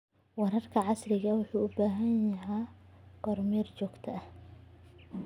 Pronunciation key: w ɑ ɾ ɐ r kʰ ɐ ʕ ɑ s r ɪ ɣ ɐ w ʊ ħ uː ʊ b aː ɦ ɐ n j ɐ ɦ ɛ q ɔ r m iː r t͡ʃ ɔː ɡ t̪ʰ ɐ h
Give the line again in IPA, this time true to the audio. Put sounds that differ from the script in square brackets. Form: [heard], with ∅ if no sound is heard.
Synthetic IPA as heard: w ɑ ɾ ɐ r kʰ ɐ ʕ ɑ s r ɪ ɣ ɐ w ʊ ħ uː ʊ b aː ɦ ɐ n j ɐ ɦ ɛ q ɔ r m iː r t͡ʃ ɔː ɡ t̪ʰ ɐ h